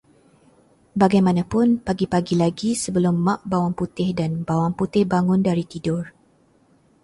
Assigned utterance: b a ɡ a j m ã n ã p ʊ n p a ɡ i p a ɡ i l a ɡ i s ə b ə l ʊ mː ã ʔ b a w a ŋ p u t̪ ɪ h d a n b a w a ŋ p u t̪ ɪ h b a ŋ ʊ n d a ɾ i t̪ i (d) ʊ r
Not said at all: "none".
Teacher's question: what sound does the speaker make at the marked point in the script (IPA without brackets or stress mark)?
d